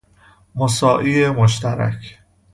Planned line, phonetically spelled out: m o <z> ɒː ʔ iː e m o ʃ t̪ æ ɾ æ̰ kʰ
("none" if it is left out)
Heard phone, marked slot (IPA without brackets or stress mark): s